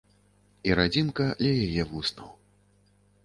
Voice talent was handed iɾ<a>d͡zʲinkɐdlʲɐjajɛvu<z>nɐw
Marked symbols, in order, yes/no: yes, no

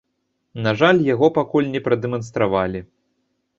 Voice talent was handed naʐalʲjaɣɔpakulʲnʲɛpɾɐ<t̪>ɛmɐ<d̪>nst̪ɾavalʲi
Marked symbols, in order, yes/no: no, no

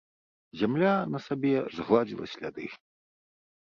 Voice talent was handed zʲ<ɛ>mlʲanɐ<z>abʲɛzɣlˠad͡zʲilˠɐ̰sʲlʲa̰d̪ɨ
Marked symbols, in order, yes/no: no, no

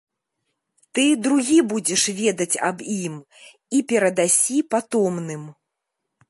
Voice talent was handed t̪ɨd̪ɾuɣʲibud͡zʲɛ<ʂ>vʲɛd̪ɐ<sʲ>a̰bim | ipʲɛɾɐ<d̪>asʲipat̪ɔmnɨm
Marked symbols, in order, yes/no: yes, no, yes

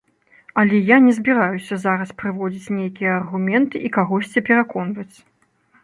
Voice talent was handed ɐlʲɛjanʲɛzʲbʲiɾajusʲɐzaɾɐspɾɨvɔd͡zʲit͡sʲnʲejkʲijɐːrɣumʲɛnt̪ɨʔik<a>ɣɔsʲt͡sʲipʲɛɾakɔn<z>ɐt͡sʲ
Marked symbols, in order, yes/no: yes, no

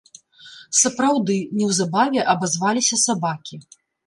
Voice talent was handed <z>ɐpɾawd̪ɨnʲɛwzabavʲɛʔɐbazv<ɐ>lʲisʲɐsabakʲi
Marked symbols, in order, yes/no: no, no

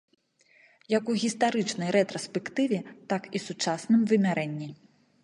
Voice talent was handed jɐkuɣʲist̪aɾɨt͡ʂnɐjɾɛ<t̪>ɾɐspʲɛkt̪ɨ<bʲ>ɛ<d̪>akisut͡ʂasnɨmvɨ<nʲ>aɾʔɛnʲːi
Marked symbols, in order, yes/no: yes, no, no, no

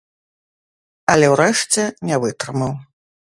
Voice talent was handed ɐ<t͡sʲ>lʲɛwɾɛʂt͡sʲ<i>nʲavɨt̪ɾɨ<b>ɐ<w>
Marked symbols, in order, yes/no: no, no, no, yes

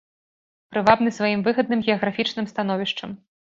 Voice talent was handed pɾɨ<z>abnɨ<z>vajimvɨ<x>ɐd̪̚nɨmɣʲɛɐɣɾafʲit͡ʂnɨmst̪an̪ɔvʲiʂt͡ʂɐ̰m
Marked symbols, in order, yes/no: no, no, no

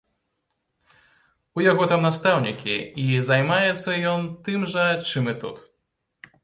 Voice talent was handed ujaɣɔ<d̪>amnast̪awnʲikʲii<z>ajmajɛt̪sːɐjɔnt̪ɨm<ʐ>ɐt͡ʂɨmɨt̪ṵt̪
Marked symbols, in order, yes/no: no, yes, yes

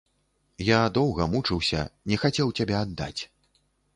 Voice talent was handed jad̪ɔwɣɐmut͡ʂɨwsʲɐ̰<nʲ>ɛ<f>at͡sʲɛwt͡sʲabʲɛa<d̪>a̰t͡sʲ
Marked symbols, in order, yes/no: yes, no, no

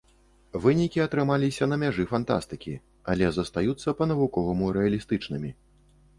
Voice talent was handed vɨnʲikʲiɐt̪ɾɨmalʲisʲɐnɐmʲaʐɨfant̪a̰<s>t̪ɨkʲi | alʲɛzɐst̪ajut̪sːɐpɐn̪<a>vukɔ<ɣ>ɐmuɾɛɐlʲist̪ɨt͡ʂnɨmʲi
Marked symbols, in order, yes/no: yes, no, no

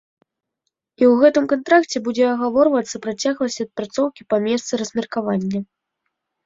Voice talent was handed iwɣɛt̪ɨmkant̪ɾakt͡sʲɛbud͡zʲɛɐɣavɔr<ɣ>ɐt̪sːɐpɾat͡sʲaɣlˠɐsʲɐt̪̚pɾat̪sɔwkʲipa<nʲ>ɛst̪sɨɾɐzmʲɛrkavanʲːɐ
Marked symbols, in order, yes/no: no, no

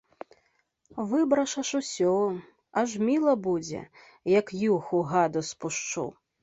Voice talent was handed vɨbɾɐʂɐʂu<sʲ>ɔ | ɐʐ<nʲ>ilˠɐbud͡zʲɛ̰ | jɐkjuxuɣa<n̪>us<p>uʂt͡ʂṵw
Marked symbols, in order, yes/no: yes, no, no, yes

